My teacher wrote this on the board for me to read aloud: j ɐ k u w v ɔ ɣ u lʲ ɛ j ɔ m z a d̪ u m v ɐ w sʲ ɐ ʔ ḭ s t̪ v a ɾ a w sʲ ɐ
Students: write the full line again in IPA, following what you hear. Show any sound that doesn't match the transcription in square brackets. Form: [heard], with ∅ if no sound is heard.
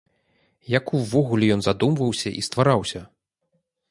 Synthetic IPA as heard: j [a] k u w v ɔ ɣ u lʲ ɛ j ɔ [n] z a d̪ u m v ɐ w sʲ ɐ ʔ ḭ s t̪ v a ɾ a w sʲ ɐ